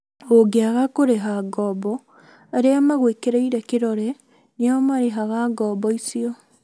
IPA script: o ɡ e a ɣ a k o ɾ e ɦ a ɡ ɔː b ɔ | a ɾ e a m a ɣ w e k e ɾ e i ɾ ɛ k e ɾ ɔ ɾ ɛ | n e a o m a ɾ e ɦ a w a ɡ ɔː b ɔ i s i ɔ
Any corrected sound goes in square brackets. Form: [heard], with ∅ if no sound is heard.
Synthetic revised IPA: o ɡ e a ɣ a k o ɾ e ɦ a ɡ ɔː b ɔ | a ɾ e a m a ɣ w e k e ɾ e i ɾ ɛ k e ɾ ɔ ɾ ɛ | n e a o m a ɾ e ɦ a [ɣ] a ɡ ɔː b ɔ i s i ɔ